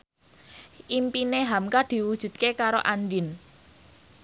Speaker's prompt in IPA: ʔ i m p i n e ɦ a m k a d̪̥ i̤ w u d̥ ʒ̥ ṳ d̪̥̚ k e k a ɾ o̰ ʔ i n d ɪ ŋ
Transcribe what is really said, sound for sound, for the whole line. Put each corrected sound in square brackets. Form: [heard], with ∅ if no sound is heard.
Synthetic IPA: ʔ i m p i n e ɦ a m k a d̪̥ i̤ w u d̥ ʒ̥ ṳ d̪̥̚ k e k a ɾ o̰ ʔ [a] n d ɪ [n]